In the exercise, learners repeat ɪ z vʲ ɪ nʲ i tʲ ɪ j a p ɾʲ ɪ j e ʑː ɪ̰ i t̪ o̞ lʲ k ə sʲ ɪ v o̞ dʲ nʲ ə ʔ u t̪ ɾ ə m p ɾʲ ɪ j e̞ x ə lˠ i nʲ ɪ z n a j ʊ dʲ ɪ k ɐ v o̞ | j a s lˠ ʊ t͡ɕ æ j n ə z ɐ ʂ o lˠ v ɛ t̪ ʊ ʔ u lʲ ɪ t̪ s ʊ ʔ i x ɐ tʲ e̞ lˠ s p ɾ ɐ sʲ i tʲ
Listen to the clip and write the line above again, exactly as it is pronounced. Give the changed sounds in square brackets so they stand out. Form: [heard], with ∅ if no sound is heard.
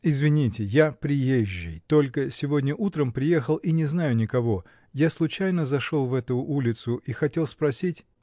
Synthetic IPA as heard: ɪ z vʲ ɪ nʲ i tʲ ɪ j a p ɾʲ ɪ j e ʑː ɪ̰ [j] t̪ o̞ lʲ k ə sʲ ɪ v o̞ dʲ nʲ ə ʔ u t̪ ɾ ə m p ɾʲ ɪ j e̞ x ə lˠ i nʲ ɪ z n a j ʊ [nʲ] ɪ k ɐ v o̞ | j a s lˠ ʊ t͡ɕ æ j n ə z ɐ ʂ o lˠ v ɛ t̪ ʊ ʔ u lʲ ɪ t̪ s ʊ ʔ i x ɐ tʲ e̞ lˠ s p ɾ ɐ sʲ i tʲ